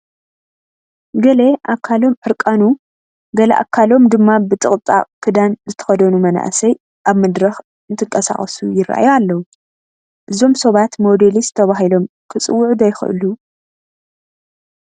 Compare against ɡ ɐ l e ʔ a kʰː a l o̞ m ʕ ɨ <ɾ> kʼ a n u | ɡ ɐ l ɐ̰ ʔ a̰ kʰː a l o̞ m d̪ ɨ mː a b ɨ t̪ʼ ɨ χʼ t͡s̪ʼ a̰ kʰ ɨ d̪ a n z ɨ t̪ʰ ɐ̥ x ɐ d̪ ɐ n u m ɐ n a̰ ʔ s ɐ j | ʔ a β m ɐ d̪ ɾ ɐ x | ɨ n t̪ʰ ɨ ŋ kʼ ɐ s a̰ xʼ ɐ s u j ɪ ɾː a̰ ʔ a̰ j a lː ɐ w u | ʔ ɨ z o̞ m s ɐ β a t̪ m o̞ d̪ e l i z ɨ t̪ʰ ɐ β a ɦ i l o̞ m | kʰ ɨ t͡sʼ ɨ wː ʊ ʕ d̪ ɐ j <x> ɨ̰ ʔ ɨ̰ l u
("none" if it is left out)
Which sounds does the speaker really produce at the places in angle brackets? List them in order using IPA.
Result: ɾ, x

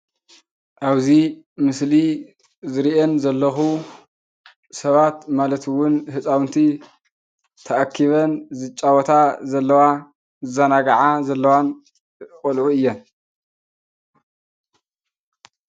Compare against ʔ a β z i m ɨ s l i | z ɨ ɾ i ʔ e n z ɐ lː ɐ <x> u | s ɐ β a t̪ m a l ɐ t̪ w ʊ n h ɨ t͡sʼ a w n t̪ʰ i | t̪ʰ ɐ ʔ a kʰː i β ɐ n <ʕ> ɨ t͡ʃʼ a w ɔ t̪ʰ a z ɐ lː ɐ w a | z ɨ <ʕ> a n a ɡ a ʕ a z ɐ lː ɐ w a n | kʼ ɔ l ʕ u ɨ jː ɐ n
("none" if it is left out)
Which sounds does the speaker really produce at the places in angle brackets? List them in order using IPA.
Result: x, z, z

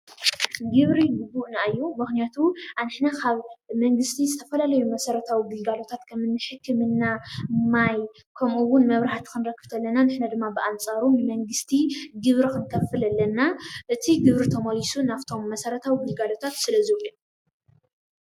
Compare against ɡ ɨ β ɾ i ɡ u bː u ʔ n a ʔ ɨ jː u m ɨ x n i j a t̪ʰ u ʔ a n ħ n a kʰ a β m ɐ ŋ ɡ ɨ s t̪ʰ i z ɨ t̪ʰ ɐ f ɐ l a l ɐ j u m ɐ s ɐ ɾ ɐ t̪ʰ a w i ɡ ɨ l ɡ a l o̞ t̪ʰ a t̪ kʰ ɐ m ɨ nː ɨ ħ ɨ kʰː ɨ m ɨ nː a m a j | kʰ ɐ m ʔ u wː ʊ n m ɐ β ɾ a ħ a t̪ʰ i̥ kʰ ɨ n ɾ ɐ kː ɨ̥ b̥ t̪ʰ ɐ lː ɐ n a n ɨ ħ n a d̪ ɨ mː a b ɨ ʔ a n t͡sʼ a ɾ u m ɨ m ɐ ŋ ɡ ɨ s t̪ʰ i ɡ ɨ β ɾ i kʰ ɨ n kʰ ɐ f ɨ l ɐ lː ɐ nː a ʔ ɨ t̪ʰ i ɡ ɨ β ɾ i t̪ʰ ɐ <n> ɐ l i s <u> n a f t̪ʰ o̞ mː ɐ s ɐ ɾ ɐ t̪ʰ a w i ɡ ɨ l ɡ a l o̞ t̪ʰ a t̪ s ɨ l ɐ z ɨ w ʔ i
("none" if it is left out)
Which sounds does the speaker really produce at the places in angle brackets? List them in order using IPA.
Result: m, u

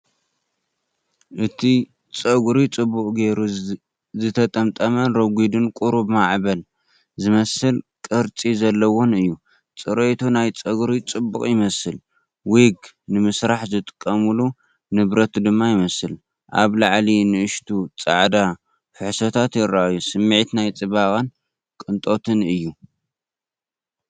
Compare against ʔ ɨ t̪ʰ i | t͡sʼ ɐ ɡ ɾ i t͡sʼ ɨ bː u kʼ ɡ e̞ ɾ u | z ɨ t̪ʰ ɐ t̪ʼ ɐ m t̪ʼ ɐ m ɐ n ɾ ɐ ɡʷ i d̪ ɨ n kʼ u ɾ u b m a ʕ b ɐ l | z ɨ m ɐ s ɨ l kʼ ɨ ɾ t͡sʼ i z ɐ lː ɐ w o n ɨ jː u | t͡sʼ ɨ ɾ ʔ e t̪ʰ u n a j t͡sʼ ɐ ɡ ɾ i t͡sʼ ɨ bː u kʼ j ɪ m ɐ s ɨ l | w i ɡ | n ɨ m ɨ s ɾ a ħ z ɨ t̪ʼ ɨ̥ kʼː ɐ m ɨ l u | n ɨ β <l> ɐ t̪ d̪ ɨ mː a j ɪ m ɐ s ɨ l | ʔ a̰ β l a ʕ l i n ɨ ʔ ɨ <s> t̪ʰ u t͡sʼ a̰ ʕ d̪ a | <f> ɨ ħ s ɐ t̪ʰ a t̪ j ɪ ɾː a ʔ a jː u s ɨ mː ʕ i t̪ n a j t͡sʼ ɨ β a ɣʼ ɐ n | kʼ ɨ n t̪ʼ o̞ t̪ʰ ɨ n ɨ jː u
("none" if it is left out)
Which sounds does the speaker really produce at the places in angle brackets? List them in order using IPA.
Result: ɾ, ʃ, f

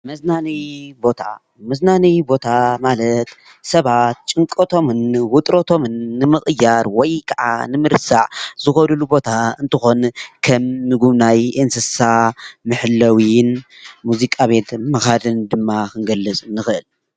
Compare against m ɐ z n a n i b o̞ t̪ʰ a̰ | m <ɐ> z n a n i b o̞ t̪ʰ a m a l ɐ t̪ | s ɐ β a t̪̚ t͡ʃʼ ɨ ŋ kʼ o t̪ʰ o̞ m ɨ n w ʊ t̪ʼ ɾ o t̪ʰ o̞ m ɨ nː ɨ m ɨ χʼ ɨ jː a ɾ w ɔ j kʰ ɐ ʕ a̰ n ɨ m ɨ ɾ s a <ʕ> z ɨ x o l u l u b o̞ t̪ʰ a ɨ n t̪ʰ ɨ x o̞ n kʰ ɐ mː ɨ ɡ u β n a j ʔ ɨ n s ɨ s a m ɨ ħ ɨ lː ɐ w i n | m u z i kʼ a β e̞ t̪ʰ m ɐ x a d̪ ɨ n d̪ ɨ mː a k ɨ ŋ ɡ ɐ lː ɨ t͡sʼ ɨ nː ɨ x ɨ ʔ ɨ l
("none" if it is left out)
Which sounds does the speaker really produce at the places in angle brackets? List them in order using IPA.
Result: ɐ, ʕ

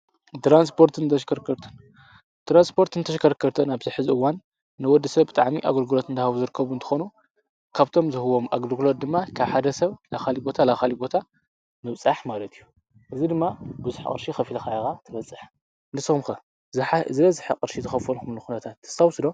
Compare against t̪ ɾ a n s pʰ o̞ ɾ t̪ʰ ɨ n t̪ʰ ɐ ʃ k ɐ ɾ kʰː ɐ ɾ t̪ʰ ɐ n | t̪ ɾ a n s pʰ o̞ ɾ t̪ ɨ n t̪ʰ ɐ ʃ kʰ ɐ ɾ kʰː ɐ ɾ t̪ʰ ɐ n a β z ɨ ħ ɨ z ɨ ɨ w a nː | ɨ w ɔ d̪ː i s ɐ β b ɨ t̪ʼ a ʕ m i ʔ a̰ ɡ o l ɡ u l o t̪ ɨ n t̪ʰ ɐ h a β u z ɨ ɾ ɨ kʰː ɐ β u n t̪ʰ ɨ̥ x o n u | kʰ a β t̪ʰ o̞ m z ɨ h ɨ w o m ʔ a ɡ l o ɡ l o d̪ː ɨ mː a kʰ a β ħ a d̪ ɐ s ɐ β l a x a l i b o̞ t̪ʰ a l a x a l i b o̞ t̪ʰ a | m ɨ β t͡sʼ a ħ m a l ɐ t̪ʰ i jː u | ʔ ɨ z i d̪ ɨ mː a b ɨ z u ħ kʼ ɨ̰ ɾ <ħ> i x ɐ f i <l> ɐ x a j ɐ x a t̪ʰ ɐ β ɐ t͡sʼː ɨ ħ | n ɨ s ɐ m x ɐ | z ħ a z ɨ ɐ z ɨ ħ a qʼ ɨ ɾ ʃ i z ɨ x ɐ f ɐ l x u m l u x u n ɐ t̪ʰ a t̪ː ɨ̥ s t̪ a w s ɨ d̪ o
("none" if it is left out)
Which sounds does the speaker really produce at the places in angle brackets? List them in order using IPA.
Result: ʃ, l

